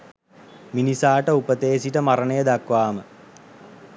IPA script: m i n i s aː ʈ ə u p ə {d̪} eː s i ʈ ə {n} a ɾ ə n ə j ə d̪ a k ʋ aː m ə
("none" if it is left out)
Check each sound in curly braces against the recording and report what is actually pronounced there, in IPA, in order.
t̪, m

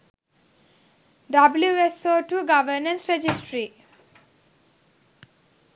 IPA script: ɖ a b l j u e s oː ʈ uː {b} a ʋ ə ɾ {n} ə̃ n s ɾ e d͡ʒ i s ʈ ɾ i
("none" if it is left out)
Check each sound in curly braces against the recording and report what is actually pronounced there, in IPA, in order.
ɡ, n

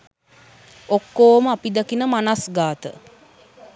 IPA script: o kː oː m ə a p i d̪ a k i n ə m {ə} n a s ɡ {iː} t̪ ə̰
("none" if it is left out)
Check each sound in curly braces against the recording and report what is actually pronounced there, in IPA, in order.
a, aː

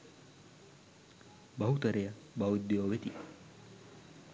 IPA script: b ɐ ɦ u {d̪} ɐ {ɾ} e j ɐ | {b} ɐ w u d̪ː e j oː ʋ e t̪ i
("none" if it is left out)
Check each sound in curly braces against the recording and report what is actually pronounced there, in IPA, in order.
t̪, ɾ, b

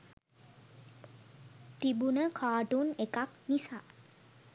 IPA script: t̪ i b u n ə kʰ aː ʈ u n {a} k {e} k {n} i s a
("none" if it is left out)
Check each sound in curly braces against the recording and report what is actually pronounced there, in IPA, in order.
e, a, n

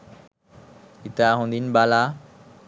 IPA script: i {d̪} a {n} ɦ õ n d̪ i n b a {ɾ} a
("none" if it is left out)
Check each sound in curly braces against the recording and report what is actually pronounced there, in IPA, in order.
t̪, none, l

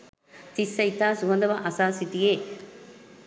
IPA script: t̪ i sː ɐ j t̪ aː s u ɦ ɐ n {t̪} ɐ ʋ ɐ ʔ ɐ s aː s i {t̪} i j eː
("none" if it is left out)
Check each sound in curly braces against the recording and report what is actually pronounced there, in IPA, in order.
d̪, t̪

